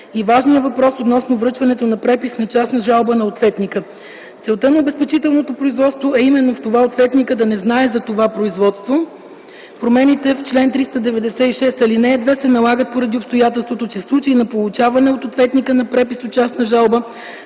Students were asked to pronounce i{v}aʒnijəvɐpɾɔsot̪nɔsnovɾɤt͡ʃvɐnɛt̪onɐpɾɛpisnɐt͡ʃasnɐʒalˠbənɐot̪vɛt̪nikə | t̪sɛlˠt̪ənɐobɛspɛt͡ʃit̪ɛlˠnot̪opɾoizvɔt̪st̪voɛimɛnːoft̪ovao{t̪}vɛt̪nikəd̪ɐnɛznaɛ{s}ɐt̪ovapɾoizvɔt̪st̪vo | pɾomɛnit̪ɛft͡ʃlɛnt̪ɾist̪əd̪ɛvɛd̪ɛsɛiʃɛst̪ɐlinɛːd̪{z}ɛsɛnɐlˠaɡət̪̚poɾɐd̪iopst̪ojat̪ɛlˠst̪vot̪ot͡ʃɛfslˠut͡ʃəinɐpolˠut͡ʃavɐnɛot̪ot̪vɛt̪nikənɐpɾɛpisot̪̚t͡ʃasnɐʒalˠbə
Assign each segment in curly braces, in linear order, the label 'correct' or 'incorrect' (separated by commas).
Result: correct, correct, incorrect, incorrect